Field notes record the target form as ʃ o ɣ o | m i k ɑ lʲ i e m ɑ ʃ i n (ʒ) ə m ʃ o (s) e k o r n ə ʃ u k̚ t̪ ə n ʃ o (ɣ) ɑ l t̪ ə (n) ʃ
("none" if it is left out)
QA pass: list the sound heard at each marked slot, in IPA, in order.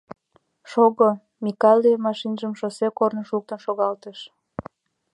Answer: ʒ, s, ɣ, none

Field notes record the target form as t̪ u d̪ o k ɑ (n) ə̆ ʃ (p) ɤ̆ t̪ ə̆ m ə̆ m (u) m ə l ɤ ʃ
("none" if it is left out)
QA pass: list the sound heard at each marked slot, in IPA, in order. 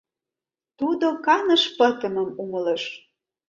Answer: n, p, u

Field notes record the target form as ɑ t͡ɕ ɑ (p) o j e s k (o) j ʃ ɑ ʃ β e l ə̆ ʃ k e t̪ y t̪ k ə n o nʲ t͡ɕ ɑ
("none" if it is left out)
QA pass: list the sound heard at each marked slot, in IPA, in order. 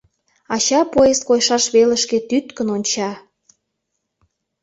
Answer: p, o

